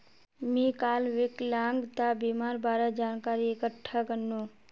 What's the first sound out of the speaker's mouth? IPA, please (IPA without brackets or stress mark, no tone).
m